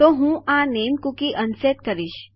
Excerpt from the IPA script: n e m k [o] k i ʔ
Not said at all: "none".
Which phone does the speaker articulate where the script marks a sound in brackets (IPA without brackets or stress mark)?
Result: u